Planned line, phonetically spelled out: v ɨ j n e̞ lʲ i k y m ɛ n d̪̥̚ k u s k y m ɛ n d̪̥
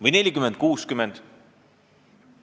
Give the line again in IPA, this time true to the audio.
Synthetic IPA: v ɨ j n e̞ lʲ i k y m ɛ n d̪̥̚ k uː s k y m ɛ n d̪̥